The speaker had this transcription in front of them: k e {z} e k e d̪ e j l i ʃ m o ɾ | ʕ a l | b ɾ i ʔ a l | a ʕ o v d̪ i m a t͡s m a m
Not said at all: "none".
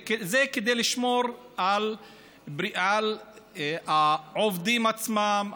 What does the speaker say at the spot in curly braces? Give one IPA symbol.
z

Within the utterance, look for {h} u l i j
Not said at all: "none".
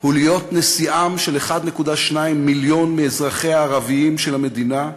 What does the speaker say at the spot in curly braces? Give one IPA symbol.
h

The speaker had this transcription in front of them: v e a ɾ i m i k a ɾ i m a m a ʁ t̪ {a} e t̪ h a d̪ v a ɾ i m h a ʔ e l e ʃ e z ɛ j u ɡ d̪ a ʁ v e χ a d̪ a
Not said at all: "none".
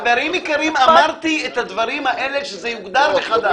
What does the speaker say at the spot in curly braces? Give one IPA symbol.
i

